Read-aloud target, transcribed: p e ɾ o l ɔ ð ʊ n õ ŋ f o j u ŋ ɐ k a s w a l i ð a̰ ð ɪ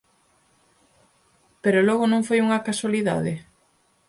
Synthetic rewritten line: p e ɾ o l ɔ ɣ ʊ n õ ŋ f o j u ŋ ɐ k a s w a l i ð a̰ ð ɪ